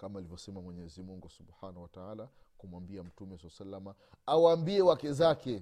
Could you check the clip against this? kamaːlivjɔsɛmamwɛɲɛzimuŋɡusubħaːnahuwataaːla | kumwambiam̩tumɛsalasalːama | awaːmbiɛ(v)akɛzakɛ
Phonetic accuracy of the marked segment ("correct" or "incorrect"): incorrect